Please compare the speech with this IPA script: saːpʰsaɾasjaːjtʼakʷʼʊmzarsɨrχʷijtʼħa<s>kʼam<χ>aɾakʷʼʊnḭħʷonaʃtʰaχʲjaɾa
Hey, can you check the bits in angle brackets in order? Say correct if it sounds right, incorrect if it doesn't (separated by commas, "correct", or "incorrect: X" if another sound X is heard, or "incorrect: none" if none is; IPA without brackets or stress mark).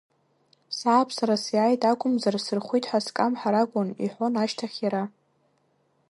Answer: correct, incorrect: ħ